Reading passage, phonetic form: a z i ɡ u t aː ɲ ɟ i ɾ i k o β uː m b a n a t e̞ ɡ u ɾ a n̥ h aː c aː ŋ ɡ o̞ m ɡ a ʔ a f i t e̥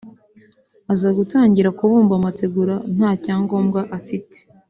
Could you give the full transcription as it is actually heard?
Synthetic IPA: a z a ɡ u t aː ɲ ɟ i ɾ a k u β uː m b a m a t e̞ ɡ u ɾ a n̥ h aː c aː ŋ ɡ o̞ m ɡ a ʔ a f i t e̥